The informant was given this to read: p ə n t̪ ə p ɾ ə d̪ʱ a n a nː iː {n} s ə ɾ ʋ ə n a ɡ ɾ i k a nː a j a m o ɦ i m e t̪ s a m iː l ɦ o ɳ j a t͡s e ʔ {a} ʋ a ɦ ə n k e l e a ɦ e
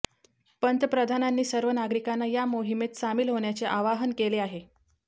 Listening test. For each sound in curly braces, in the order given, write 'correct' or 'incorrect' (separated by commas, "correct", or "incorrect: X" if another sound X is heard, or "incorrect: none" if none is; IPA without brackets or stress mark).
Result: incorrect: none, correct